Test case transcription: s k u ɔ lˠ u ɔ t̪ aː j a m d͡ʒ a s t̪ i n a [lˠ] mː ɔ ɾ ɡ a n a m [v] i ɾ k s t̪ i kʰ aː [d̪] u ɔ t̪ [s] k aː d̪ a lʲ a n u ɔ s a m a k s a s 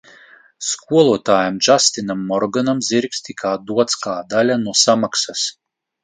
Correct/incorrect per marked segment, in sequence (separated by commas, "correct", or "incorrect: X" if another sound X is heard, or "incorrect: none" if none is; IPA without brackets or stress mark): incorrect: none, incorrect: z, correct, correct